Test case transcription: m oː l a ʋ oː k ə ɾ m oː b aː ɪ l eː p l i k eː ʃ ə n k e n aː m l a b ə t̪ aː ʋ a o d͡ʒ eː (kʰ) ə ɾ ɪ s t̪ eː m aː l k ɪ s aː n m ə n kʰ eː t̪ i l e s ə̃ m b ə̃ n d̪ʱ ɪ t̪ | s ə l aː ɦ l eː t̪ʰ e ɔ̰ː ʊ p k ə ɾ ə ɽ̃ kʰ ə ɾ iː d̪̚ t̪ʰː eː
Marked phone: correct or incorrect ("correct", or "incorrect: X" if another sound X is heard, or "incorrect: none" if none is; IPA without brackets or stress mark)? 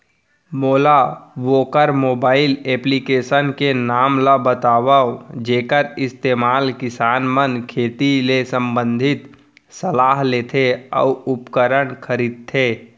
incorrect: k